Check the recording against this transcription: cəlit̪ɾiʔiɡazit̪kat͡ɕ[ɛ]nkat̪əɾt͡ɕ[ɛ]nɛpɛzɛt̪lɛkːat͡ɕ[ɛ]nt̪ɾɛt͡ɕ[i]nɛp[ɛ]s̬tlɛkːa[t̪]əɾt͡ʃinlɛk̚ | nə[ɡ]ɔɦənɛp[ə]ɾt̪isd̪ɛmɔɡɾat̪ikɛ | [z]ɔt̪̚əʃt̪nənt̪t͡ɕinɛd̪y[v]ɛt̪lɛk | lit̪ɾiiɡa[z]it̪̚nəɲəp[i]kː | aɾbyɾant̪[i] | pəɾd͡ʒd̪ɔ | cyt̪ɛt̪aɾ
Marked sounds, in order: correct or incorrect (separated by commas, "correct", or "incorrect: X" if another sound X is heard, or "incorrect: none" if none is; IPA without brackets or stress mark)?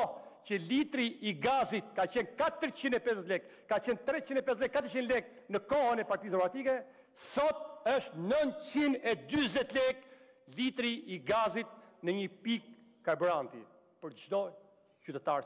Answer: correct, incorrect: i, correct, correct, correct, correct, incorrect: k, incorrect: a, incorrect: s, incorrect: z, correct, correct, correct